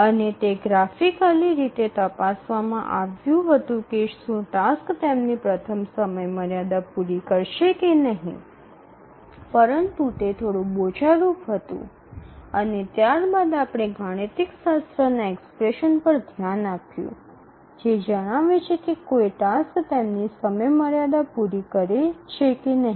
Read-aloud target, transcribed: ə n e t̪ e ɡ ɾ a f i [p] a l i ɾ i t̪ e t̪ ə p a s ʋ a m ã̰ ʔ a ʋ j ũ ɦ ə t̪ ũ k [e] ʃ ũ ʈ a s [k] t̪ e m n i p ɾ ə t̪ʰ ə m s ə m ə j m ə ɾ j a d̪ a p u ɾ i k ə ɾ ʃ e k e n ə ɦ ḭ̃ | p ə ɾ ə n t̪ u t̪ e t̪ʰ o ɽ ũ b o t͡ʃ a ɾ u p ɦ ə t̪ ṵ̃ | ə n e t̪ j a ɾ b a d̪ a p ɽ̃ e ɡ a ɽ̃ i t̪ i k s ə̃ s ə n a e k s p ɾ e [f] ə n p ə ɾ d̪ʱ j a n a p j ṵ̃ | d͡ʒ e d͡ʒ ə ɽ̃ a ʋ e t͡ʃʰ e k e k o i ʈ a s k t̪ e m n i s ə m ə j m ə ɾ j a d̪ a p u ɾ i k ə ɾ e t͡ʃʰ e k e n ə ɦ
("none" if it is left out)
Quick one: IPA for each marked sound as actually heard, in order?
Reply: k, e, k, ʃ

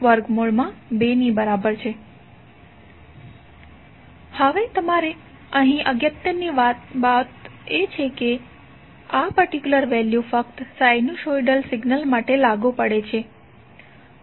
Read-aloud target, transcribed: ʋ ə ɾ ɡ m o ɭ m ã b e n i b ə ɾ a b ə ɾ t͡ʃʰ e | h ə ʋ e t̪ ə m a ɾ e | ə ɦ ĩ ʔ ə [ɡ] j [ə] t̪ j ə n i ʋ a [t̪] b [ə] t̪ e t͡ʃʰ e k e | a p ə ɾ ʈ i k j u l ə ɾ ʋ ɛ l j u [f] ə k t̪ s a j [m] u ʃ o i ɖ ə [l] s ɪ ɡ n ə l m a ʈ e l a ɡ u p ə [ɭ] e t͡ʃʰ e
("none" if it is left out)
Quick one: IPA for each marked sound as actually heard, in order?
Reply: ɡ, ə, t̪, a, f, n, l, ɽ

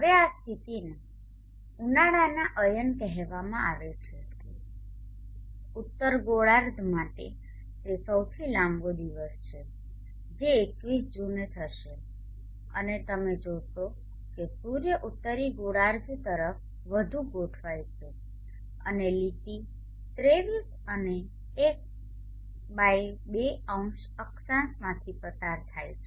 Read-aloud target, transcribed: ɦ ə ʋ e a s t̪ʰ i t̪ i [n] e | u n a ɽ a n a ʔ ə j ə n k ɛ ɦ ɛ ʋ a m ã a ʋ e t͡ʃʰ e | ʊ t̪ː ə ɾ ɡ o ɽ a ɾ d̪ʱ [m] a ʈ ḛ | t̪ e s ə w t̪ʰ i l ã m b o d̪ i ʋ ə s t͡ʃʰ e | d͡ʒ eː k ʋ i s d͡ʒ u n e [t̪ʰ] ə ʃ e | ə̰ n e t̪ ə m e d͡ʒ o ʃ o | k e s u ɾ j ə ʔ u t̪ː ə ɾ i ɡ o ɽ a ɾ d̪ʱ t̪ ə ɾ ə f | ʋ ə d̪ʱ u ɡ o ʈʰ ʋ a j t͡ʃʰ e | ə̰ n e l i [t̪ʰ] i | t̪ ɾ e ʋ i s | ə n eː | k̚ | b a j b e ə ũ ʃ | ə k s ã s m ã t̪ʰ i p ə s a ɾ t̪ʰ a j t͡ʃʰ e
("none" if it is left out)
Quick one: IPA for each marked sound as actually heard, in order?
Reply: n, m, t̪ʰ, t̪

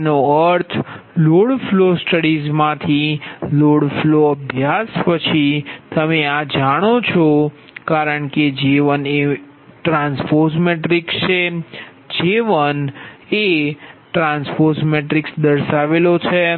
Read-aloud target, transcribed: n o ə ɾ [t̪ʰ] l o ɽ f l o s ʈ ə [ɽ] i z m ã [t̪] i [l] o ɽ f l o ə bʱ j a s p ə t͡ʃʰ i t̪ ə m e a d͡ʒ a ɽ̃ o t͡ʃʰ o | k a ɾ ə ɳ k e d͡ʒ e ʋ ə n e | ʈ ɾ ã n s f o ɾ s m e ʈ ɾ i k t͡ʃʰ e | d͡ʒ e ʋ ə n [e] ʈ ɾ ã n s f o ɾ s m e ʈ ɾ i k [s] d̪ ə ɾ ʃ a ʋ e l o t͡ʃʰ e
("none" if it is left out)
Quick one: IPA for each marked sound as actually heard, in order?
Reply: t̪ʰ, ɽ, t̪ʰ, l, e, s

